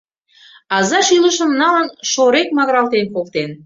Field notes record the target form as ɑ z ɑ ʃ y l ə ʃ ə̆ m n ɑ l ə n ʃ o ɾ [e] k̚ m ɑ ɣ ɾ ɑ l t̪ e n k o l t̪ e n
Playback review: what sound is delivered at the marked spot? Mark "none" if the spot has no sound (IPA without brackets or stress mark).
e